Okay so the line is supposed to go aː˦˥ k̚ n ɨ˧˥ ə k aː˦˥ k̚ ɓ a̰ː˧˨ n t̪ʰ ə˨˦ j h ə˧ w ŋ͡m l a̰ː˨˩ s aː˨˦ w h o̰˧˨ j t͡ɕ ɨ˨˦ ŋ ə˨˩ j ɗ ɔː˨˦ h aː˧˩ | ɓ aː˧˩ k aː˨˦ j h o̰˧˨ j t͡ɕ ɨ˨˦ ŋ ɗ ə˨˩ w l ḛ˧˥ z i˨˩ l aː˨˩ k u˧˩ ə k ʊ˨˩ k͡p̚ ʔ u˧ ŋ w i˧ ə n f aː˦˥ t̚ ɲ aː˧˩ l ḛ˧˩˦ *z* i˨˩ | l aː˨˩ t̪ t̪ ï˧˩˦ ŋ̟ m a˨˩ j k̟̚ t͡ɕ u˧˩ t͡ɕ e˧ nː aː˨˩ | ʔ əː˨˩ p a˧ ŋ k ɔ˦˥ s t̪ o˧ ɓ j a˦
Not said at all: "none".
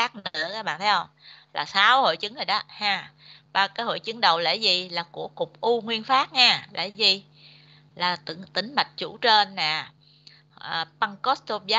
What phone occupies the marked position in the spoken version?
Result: z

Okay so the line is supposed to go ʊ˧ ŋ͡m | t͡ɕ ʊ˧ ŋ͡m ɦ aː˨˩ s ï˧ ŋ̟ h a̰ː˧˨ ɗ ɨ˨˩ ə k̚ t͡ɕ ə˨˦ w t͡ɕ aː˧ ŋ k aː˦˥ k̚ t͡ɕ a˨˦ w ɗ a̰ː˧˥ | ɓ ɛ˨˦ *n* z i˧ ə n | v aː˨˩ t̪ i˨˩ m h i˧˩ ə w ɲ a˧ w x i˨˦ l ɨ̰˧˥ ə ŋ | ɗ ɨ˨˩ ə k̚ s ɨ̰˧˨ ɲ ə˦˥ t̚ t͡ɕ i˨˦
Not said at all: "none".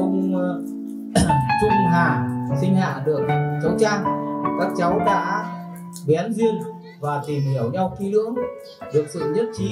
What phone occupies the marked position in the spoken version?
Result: n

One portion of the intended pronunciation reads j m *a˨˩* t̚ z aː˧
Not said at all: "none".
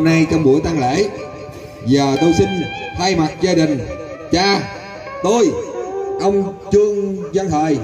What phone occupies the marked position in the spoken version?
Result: a˨˩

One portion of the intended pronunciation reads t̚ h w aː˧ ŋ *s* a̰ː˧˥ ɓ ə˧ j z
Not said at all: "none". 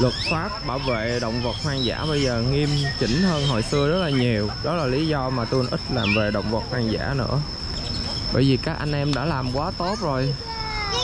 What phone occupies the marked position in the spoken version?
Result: z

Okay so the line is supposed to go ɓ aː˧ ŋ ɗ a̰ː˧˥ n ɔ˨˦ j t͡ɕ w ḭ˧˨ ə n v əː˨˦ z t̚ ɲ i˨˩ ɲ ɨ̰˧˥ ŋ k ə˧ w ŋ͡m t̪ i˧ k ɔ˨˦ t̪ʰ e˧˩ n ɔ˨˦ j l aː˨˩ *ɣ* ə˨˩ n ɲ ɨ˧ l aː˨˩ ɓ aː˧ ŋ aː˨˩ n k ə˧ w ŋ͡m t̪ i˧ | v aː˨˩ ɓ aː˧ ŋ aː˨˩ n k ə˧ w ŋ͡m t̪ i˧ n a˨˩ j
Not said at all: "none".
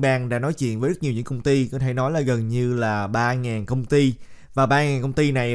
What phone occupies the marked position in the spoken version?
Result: ɣ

